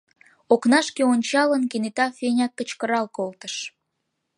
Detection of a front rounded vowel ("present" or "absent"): absent